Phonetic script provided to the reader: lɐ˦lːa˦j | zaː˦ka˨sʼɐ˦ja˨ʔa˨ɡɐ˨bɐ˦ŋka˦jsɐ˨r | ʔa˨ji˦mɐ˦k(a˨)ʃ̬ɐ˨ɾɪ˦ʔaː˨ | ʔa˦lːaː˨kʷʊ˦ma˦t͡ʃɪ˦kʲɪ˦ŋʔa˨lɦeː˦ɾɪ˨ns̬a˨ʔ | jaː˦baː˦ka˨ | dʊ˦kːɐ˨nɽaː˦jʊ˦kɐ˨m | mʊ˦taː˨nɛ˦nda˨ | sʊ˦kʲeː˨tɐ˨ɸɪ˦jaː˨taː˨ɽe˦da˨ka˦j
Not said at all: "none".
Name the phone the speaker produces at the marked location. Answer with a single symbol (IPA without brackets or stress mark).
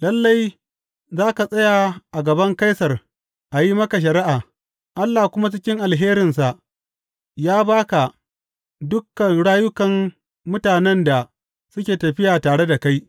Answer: a˨